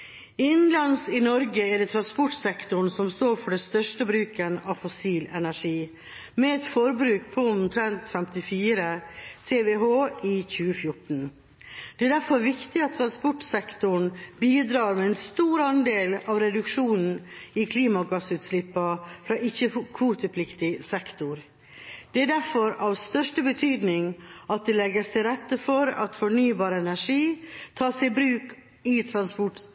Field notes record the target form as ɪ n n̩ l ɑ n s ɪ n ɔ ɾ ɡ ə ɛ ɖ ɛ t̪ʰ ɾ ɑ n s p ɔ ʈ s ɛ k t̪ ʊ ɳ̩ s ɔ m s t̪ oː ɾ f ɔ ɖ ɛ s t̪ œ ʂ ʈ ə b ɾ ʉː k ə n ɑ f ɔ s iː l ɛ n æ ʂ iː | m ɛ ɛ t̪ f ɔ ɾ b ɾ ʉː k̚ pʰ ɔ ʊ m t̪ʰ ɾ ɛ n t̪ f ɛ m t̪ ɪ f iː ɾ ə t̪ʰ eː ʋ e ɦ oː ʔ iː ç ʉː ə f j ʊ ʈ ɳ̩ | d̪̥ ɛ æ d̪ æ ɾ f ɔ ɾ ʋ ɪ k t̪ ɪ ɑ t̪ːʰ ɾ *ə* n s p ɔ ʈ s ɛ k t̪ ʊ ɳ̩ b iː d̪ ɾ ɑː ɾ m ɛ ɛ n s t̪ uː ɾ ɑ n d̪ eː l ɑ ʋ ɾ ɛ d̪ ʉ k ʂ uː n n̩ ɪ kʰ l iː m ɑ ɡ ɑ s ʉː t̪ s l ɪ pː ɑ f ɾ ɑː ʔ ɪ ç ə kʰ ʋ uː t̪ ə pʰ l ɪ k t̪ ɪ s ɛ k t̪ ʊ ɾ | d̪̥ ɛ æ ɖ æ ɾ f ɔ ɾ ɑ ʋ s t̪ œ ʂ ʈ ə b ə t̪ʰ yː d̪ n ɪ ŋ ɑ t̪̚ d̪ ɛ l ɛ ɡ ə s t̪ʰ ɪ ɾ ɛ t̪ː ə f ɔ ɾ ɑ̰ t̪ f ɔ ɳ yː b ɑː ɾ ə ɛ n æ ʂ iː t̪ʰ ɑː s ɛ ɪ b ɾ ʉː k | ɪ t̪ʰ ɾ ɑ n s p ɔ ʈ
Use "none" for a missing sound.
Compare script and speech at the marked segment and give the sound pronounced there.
ɑ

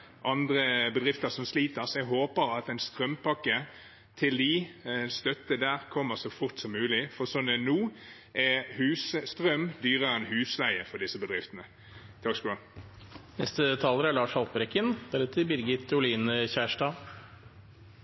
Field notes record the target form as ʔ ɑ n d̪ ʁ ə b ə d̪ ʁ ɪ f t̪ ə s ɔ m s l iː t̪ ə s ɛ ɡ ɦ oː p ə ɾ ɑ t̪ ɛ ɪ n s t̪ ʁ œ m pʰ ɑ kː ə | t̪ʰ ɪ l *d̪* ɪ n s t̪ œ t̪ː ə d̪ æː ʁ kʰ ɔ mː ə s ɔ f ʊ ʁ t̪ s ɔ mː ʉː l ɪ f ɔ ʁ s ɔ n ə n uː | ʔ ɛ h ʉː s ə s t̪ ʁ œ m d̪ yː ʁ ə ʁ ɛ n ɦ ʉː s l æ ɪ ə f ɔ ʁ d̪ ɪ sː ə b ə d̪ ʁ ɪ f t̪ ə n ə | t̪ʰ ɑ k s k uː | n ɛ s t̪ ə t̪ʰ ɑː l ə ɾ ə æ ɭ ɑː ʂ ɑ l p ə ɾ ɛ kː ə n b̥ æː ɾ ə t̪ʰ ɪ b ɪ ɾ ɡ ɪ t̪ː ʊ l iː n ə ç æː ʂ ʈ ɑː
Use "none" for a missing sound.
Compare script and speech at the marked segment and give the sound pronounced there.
d̪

